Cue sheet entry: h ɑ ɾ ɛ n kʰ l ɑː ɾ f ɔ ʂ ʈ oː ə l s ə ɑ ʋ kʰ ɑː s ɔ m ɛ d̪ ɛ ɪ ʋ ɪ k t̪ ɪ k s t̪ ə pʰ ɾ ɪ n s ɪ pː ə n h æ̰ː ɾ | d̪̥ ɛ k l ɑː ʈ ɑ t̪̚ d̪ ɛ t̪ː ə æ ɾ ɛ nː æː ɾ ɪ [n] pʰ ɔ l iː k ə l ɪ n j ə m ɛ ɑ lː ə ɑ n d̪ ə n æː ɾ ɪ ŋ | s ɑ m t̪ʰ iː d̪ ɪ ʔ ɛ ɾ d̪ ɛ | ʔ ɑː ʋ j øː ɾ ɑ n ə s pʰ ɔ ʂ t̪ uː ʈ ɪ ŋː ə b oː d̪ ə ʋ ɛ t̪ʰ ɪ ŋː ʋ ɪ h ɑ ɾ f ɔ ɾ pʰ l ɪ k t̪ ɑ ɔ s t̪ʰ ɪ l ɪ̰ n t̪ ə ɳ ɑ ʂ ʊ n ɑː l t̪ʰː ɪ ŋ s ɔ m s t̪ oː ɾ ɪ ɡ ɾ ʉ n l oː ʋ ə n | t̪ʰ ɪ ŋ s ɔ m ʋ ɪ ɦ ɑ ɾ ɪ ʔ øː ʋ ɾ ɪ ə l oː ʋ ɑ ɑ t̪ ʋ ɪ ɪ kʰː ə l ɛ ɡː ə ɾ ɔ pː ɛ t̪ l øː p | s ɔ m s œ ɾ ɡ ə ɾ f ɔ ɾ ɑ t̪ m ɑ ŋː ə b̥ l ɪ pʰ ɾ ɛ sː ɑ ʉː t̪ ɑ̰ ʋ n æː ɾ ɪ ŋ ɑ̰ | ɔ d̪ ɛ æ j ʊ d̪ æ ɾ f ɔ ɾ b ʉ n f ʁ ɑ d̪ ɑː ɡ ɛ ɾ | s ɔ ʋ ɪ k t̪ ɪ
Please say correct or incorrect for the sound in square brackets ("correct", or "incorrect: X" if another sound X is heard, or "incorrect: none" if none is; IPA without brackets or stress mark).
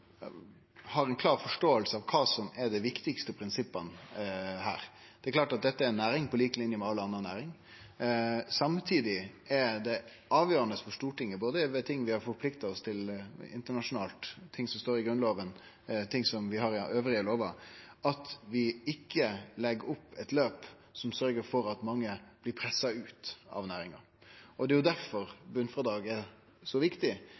incorrect: ŋ